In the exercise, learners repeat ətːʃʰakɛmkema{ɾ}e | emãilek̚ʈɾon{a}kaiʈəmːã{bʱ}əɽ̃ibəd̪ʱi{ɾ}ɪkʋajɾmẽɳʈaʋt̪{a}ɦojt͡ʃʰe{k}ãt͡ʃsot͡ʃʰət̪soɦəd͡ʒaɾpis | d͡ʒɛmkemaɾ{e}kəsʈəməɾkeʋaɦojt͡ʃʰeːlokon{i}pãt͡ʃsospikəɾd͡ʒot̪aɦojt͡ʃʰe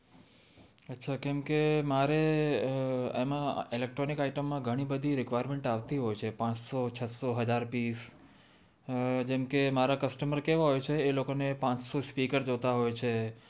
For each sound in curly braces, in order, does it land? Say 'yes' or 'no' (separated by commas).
yes, no, no, yes, no, no, no, no